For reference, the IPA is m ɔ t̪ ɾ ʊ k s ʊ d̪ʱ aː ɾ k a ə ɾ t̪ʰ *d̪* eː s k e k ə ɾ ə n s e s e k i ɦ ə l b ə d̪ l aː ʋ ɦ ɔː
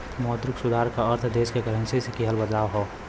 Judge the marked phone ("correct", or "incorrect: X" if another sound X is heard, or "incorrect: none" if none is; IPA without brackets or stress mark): correct